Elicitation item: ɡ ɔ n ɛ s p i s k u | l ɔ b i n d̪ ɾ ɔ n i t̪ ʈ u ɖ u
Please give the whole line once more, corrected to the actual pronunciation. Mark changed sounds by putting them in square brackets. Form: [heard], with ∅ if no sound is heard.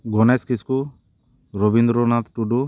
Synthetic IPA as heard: ɡ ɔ n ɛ s [k] i s k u | [ɾ] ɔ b i n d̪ ɾ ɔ n [a] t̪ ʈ u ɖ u